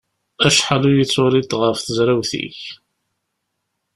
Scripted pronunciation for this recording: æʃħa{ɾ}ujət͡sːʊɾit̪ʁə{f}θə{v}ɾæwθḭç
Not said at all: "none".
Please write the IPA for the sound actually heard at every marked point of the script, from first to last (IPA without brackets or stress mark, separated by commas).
l, f, z